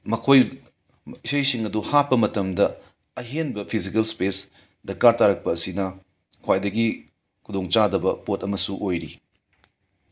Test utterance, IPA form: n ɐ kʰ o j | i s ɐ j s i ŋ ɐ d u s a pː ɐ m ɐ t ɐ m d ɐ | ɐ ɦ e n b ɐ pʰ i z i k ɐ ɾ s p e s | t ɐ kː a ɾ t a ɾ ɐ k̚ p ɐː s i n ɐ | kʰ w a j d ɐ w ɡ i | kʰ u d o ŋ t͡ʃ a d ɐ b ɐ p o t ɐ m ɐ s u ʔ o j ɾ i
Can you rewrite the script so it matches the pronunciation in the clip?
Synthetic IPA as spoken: m ɐ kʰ o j | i s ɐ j s i ŋ ɐ d u h a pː ɐ m ɐ t ɐ m d ɐ | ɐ ɦ e n b ɐ pʰ i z i k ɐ l s p e s | d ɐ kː a ɾ t a ɾ ɐ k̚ p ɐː s i n ɐ | kʰ w a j d ɐ ɡ i | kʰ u d o ŋ t͡ʃ a d ɐ b ɐ p o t ɐ m ɐ s u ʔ o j ɾ i